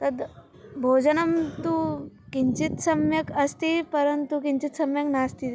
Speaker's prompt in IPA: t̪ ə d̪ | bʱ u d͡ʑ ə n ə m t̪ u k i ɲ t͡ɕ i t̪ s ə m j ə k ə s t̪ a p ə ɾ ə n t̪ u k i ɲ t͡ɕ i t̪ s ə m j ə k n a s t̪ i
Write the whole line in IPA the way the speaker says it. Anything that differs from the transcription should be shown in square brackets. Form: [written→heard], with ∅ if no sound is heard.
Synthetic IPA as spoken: t̪ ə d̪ | bʱ [u→o] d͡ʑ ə n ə m t̪ u k i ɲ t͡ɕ i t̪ s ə m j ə k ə s t̪ [a→i] p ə ɾ ə n t̪ u k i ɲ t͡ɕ i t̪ s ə m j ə k n a s t̪ i